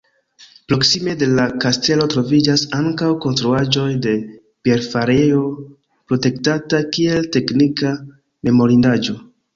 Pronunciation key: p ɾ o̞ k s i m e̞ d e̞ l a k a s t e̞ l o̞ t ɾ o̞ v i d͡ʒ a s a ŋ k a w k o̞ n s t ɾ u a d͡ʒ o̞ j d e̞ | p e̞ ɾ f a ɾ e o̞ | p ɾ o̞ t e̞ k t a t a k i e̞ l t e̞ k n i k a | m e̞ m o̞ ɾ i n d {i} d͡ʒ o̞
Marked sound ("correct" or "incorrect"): incorrect